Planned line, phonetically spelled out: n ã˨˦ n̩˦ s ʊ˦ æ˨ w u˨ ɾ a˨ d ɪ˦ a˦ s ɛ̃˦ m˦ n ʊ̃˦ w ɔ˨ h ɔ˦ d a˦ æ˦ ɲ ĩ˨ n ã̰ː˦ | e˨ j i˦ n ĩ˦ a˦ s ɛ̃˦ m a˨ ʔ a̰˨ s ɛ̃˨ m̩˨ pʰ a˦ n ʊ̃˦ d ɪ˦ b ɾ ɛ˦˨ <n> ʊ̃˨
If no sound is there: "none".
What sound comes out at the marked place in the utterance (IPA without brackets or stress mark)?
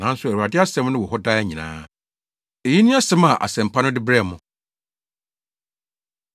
m